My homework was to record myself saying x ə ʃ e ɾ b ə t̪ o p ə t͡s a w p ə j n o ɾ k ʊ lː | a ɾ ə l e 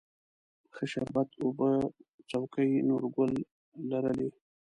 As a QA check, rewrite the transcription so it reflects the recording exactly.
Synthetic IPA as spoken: x ə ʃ a ɾ b a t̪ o b ə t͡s a w k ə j n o ɾ ɡ ʊ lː | a ɾ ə l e